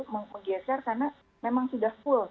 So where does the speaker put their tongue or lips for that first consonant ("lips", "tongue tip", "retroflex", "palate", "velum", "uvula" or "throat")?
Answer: lips